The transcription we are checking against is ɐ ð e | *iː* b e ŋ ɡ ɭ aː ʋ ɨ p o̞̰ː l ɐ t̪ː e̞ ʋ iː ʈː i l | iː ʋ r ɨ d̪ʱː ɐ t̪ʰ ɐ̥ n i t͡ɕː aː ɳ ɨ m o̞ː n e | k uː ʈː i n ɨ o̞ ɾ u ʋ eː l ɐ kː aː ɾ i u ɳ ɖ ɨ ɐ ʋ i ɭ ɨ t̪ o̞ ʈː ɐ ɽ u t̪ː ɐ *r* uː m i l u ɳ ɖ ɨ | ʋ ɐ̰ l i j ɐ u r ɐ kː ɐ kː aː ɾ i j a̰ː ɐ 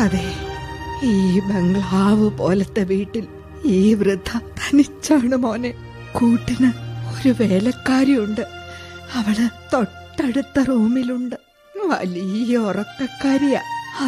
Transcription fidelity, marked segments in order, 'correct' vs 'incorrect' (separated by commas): correct, correct